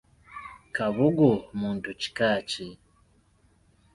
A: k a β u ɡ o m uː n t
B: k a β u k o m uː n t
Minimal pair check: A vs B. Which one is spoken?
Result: A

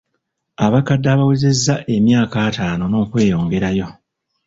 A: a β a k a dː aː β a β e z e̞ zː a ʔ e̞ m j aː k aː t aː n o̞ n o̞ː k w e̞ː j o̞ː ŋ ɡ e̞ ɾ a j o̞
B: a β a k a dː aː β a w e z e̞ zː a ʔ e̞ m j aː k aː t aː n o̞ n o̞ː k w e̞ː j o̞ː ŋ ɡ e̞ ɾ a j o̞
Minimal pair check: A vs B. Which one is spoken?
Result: B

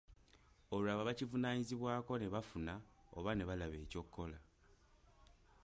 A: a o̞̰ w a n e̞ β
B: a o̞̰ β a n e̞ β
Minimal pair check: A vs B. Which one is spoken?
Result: B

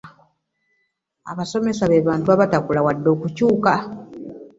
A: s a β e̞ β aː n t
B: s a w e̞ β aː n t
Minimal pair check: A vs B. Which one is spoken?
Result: A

